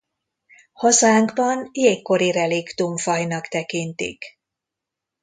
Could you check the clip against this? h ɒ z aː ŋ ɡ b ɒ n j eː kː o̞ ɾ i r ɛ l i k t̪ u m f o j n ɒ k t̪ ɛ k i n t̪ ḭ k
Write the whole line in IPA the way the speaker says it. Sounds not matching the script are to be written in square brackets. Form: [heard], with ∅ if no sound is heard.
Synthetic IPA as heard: h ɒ z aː ŋ ɡ b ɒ n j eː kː o̞ ɾ i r ɛ l i k t̪ u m f [ɒ] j n ɒ k t̪ ɛ k i n t̪ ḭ k